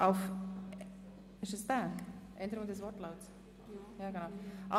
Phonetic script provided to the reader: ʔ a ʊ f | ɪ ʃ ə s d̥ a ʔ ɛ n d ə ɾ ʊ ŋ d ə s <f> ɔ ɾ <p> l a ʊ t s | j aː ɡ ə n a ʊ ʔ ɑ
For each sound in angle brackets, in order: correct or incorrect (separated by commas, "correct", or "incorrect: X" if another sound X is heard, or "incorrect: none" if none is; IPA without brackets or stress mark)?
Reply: incorrect: v, incorrect: t